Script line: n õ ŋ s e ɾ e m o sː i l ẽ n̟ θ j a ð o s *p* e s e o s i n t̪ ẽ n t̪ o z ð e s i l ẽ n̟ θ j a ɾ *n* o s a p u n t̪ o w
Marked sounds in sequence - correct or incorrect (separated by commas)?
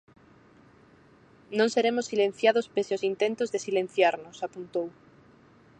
correct, correct